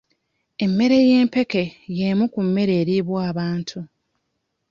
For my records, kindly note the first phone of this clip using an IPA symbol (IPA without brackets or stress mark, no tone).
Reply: e̞